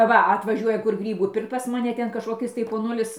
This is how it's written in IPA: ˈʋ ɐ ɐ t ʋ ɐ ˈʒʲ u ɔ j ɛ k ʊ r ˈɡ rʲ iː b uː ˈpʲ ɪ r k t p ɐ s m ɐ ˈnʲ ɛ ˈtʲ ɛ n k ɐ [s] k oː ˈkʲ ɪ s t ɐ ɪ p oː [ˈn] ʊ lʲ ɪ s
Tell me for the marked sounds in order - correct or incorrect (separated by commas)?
incorrect, correct